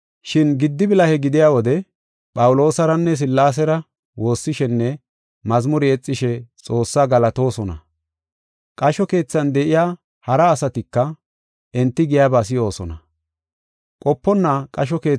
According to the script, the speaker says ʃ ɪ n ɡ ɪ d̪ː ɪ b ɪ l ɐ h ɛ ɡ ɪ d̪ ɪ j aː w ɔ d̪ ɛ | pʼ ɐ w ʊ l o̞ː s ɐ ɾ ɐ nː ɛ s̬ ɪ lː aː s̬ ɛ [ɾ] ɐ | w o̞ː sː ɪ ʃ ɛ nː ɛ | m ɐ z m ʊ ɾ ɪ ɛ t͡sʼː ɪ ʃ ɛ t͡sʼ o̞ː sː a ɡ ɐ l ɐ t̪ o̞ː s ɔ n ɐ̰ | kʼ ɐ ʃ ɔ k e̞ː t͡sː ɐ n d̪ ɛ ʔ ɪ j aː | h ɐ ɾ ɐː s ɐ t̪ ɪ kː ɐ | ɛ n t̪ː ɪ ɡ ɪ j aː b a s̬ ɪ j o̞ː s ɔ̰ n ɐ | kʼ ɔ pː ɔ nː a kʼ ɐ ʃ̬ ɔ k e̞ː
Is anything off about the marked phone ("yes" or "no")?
no